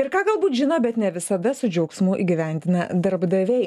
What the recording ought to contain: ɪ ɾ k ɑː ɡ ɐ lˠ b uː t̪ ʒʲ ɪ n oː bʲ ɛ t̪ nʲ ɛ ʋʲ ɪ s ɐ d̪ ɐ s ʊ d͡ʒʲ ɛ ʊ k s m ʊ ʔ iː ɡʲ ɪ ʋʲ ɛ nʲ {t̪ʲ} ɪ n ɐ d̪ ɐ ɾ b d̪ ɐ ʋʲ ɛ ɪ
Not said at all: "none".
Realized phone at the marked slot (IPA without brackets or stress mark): d̪ʲ